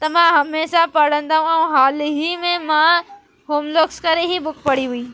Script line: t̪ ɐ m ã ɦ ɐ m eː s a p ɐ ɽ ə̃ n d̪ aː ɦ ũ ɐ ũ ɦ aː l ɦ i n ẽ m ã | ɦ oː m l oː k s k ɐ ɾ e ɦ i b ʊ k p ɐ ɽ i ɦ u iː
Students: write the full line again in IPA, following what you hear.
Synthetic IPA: t̪ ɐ m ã ɦ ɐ m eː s a p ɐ ɽ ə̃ n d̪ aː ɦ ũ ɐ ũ ɦ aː l ɦ i m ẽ m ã | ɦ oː m l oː k s k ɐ ɾ e ɦ i b ʊ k p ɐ ɽ i ɦ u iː